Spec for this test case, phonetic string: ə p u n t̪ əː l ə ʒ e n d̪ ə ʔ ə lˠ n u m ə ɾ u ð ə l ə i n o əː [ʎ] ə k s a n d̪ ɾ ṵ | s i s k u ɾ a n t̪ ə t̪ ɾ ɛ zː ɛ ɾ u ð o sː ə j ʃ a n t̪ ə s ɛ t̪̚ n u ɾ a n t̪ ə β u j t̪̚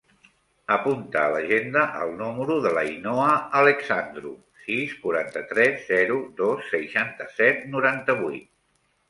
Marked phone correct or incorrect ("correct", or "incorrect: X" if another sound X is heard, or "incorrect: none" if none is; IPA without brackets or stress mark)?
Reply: incorrect: l